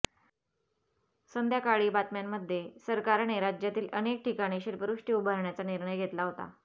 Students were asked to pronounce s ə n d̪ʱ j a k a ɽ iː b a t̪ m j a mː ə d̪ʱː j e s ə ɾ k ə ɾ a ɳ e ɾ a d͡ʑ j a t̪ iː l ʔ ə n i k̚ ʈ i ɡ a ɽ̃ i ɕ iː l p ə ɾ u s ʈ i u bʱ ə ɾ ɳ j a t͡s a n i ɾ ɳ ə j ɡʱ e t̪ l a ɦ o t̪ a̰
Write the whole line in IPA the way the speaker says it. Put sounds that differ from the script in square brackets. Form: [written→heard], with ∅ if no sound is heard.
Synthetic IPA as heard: s ə n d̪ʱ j a k a [ɽ→ɭ] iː b a t̪ m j a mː ə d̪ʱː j e s ə ɾ k [ə→a] ɾ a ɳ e ɾ a d͡ʑ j a t̪ iː l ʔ ə n [i→e] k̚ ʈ i [ɡ→k] a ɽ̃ i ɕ iː l p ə ɾ u [s→ʂ] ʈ i u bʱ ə ɾ ɳ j a t͡s a n i ɾ ɳ ə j ɡʱ e t̪ l a ɦ o t̪ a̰